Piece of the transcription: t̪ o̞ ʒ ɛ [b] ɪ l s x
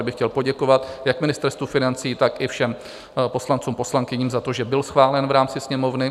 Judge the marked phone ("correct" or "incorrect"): correct